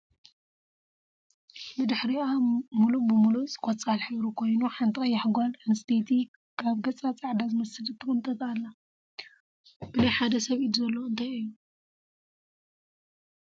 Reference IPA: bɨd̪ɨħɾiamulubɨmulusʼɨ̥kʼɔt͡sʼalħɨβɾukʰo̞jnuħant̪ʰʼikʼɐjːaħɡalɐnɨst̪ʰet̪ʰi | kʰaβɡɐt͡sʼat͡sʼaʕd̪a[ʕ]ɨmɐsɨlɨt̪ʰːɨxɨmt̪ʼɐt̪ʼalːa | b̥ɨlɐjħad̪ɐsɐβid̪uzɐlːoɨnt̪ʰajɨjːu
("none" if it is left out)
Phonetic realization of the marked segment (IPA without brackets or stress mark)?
z